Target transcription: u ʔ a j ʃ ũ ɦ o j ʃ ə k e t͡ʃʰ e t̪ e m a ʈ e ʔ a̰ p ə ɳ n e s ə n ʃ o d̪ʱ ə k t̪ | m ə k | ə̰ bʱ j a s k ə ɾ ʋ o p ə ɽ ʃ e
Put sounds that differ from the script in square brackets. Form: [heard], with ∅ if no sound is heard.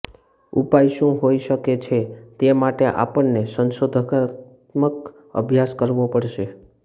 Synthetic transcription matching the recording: u [p] a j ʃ ũ ɦ o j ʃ ə k e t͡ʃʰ e t̪ e m a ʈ e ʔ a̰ p ə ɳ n e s ə n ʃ o d̪ʱ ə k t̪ | m ə k | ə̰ bʱ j a s k ə ɾ ʋ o p ə ɽ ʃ e